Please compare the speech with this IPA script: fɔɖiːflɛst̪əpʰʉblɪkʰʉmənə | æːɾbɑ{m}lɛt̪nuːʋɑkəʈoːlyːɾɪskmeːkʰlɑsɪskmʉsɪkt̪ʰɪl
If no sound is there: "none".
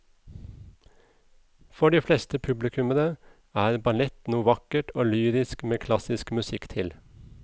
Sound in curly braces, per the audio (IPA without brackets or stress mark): none